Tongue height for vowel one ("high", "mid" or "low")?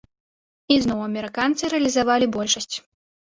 high